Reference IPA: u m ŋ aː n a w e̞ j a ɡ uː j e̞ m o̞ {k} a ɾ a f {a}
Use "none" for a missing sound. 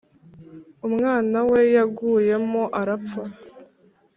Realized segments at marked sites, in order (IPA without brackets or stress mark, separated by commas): ʔ, a